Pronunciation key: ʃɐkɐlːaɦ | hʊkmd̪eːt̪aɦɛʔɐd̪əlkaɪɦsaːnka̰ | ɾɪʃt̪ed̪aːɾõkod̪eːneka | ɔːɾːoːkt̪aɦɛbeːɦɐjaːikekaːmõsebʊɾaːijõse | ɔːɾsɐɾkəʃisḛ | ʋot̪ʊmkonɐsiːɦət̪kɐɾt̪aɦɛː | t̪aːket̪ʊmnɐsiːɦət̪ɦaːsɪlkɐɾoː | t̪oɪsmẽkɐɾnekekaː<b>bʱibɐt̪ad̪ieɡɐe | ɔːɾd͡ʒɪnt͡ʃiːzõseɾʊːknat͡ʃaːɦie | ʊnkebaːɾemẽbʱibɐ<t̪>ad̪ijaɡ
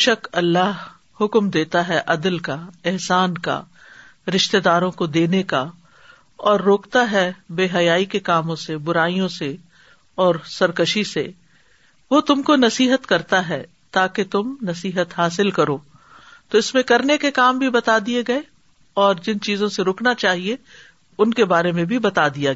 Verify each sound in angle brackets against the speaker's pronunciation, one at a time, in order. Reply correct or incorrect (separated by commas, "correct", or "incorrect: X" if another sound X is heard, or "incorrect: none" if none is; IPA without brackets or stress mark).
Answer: incorrect: m, correct